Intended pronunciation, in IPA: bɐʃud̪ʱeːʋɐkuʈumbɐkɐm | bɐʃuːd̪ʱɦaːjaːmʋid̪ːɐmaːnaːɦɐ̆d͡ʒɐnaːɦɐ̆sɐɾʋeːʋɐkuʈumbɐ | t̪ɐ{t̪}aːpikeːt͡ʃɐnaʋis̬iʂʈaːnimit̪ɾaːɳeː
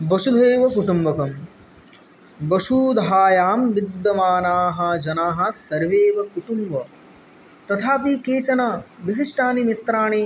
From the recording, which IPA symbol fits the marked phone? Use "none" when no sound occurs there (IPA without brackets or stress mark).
t̪ʰ